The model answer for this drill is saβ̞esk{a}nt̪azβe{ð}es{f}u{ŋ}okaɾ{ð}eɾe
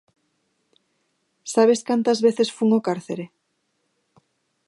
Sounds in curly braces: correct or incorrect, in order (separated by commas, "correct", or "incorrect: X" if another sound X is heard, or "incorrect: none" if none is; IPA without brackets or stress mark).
correct, incorrect: θ, correct, correct, incorrect: θ